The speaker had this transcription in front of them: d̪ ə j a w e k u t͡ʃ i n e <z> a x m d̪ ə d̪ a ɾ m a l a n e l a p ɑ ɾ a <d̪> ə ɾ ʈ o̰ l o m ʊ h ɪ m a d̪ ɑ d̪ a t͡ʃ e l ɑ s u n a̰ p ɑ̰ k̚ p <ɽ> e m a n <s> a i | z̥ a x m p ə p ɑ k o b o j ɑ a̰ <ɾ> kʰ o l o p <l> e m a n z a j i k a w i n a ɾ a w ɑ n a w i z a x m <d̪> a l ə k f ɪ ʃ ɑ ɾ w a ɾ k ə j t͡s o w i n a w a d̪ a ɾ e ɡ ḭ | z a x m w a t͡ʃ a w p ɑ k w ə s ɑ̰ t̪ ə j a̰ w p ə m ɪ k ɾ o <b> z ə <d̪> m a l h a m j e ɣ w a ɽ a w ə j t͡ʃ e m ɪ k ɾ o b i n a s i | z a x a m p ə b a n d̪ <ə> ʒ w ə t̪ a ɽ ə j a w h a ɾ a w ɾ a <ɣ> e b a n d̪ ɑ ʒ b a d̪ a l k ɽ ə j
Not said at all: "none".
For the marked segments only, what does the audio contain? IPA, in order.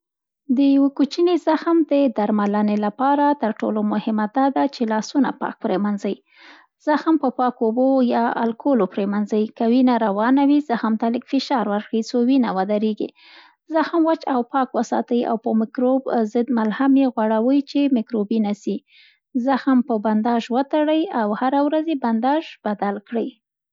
z, t̪, ɾ, z, l, ɾ, t̪, b, d̪, ɑ, z

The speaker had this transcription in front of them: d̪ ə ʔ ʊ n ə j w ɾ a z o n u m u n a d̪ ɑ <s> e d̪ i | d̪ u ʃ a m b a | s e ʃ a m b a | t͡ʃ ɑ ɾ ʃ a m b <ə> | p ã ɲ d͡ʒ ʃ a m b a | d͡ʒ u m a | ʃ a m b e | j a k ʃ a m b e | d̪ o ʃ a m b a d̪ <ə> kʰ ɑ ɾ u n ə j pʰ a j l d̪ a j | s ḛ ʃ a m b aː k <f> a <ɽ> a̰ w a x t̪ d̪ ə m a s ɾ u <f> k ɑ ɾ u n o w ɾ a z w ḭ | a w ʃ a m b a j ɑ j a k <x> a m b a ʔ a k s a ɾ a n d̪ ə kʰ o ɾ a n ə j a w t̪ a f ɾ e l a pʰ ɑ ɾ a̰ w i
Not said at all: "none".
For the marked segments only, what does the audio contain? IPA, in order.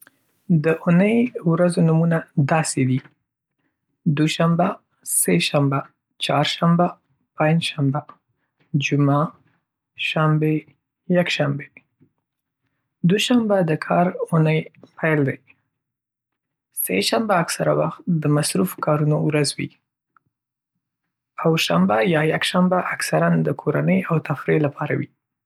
s, a, ə, s, ɾ, f, ʃ

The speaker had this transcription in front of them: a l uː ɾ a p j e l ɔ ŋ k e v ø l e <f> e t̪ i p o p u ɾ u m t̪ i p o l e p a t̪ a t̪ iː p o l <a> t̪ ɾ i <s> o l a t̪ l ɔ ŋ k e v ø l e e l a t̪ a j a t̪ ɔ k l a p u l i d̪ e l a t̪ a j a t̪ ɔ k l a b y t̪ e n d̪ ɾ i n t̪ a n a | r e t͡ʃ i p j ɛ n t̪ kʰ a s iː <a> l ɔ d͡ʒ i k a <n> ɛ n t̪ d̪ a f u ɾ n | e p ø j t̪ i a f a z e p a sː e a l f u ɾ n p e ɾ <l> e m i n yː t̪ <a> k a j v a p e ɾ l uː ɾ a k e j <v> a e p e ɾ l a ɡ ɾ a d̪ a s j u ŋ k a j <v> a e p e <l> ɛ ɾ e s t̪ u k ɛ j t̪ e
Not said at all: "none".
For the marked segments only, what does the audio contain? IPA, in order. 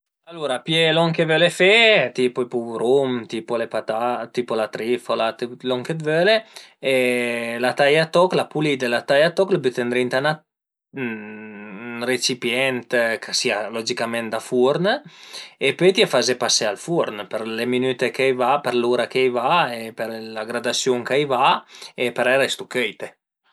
f, a, f, a, m, l, e, v, v, ɾ

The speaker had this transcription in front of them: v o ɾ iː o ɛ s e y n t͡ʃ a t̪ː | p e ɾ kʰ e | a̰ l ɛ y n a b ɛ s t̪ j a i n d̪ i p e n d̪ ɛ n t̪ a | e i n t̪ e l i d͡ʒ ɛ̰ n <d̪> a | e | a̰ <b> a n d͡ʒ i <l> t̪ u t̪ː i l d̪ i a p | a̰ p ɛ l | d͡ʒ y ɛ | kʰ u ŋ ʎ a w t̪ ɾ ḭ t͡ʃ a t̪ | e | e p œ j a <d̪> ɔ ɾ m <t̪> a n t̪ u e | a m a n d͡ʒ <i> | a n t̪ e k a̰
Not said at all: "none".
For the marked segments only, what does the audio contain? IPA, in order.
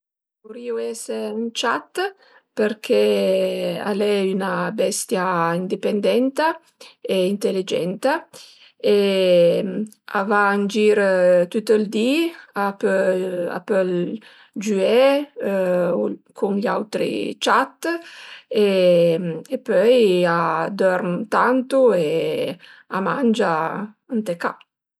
t̪, v, ɾ, d̪, t̪, a

